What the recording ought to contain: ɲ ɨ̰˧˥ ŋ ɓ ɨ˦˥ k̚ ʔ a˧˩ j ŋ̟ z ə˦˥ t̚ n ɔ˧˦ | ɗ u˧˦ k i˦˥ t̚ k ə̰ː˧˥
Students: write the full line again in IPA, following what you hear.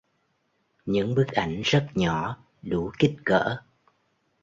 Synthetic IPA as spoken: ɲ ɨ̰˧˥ ŋ ɓ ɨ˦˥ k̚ ʔ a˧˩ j ŋ̟ z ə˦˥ t̚ ɲ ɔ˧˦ | ɗ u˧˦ k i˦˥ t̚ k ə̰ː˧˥